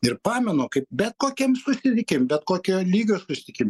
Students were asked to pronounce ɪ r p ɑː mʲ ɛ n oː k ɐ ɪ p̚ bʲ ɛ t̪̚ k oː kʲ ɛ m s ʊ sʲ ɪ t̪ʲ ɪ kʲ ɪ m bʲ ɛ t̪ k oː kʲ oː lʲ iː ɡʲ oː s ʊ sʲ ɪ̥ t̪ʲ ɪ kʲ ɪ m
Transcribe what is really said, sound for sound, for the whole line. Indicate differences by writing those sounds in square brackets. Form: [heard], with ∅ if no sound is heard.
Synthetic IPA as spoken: ɪ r p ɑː mʲ ɛ n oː k ɐ ɪ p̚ bʲ ɛ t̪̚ k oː kʲ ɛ m s ʊ sʲ ɪ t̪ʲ ɪ kʲ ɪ m bʲ ɛ t̪ k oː kʲ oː lʲ iː ɡʲ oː s ʊ sʲ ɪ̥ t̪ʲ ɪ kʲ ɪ m